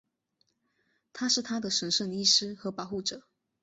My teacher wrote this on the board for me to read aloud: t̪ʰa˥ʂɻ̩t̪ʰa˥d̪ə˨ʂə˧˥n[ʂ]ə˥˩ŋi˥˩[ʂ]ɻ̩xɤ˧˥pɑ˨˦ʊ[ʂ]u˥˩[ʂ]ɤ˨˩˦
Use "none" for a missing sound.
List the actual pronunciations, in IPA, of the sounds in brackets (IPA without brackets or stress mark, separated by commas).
ʂ, ʂ, x, ʈ͡ʂ